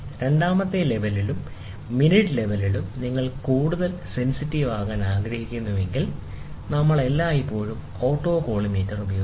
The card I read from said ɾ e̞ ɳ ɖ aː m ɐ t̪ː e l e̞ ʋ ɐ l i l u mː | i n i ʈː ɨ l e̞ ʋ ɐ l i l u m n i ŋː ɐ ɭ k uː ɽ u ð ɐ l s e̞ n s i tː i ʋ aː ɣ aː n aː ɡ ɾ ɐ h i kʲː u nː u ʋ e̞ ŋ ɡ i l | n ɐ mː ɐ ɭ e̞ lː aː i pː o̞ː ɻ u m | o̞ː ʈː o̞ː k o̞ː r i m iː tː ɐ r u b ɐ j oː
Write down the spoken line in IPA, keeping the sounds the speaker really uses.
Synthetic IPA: ɾ e̞ ɳ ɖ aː m ɐ t̪ː e l e̞ ʋ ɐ l i l u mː | i n i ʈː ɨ l e̞ ʋ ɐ l i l u m n i ŋː ɐ ɭ k uː ɽ u ð ɐ l s e̞ n s i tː i ʋ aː ɣ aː n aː ɡ ɾ ɐ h i kʲː u nː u ʋ e̞ ŋ ɡ i l | n ɐ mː ɐ ɭ e̞ lː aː i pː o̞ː ɻ u m | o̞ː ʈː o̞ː k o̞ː ɭ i m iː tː ɐ r u b ɐ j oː